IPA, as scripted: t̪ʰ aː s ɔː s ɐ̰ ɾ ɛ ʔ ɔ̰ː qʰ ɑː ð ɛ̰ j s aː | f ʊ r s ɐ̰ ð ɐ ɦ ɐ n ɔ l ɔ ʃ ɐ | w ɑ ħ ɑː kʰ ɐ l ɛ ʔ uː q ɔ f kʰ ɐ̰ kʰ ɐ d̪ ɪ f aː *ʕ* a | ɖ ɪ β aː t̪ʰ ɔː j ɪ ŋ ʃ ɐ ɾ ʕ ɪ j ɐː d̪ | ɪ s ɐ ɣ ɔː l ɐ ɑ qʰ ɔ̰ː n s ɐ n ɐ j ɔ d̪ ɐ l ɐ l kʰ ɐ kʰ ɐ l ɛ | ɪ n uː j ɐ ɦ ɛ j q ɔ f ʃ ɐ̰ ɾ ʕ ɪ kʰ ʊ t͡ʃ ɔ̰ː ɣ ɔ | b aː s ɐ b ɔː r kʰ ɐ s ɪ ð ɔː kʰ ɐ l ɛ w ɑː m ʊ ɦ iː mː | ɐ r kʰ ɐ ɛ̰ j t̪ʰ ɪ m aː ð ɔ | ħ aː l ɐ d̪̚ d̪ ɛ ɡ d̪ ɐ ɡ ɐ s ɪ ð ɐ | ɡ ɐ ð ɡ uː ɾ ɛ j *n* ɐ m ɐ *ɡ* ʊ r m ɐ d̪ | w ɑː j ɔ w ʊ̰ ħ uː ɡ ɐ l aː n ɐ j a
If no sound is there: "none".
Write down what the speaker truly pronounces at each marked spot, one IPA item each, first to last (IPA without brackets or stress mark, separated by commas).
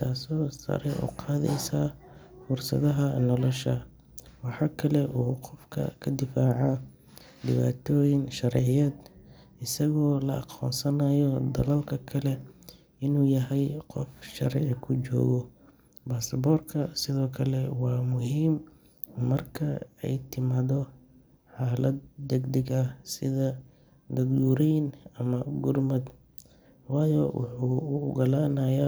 ʕ, n, ɡ